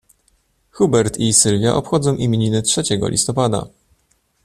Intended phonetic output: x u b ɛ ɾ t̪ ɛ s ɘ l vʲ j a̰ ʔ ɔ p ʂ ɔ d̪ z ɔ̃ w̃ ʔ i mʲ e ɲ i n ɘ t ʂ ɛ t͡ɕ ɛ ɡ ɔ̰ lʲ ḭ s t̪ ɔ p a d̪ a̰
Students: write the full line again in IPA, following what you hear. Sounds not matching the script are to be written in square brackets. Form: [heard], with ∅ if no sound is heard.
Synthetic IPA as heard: x u b ɛ ɾ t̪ [i] s ɘ l vʲ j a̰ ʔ ɔ p [x] ɔ d̪ z ɔ̃ w̃ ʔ i mʲ e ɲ i n ɘ t ʂ ɛ t͡ɕ ɛ ɡ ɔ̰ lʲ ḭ s t̪ ɔ p a d̪ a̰